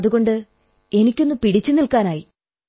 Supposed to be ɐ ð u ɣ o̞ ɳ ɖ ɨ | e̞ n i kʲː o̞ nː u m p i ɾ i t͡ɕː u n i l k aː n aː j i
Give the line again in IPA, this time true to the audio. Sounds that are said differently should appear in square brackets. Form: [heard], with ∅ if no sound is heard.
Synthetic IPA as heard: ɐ ð u ɣ o̞ ɳ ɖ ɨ | e̞ n i kʲː o̞ nː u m p i [ɽ] i t͡ɕː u n i l k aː n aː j i